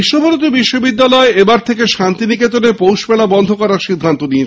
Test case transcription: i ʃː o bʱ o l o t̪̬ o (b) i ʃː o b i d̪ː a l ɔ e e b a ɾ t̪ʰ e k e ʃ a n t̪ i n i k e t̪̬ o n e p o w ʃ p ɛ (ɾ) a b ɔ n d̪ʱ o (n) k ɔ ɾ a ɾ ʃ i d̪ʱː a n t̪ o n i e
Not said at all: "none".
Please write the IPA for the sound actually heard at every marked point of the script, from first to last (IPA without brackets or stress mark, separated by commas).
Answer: b, l, none